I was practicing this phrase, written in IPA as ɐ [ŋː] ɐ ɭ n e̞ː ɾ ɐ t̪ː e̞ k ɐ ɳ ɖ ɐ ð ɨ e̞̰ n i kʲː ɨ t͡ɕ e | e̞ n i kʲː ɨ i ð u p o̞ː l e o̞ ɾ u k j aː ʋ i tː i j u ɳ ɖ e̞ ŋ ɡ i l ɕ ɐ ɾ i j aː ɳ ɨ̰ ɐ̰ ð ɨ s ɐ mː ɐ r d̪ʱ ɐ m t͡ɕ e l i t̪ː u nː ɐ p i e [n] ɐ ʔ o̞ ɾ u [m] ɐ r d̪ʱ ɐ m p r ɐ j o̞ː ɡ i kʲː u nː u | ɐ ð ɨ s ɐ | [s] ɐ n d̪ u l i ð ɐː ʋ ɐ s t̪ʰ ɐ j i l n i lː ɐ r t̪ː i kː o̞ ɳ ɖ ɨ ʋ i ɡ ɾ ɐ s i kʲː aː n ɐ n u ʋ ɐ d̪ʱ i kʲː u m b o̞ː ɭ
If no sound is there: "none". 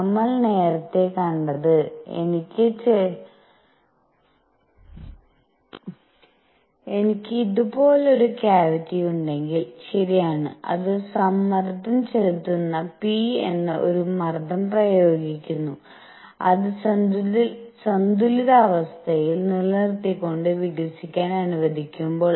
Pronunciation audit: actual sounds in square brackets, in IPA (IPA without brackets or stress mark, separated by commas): mː, nː, m, s